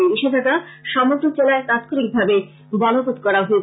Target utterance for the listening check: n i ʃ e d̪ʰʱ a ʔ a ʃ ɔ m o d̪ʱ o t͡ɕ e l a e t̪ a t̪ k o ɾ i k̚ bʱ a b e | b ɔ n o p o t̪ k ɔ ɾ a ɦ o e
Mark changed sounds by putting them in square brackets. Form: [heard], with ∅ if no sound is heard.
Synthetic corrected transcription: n i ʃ e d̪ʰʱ a [k] a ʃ ɔ m o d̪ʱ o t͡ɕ e l a e t̪ a t̪ k o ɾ i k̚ bʱ a b e | b ɔ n o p o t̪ k ɔ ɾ a ɦ o e